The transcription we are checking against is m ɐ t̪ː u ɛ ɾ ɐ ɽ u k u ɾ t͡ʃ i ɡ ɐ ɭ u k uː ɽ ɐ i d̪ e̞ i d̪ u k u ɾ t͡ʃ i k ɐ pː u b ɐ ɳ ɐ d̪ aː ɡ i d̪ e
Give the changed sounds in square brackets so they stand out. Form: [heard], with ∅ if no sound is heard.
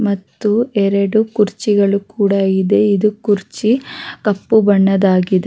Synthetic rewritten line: m ɐ t̪ː u ɛ ɾ ɐ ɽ u k u ɾ t͡ʃ i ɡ ɐ ɭ u k uː ɽ ɐ i d̪ e̞ i d̪ u k u ɾ t͡ʃ i k ɐ pː u b ɐ [ɳː] ɐ d̪ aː ɡ i d̪ e